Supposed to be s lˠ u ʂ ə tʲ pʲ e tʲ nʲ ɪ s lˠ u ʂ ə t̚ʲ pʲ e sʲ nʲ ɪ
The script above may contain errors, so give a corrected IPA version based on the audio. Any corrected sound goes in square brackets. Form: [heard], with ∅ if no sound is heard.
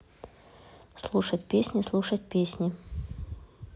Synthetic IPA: s lˠ u ʂ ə tʲ pʲ e [sʲ] nʲ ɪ s lˠ u ʂ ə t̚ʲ pʲ e sʲ nʲ ɪ